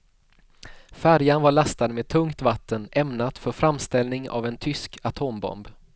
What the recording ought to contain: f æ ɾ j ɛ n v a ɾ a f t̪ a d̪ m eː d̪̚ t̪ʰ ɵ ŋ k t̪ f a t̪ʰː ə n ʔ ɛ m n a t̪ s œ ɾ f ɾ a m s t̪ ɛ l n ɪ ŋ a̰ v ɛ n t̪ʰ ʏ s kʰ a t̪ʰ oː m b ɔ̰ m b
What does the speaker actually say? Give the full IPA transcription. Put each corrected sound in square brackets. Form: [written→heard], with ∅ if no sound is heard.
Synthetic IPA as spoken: f æ ɾ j [ɛ→a] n v a [ɾ→ɭ] a [f→s] t̪ a d̪ m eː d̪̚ t̪ʰ ɵ ŋ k t̪ [f→v] a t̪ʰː ə n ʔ ɛ m n a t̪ [s→f] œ ɾ f ɾ a m s t̪ ɛ l n ɪ ŋ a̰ v ɛ n t̪ʰ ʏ s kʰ a t̪ʰ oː m b ɔ̰ m b